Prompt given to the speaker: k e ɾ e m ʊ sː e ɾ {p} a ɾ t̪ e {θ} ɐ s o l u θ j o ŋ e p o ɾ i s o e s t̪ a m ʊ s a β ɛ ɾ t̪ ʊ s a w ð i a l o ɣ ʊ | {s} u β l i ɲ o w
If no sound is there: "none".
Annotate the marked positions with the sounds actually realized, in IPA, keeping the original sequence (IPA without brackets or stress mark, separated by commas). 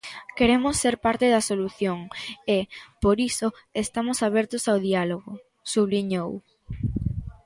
p, ð, s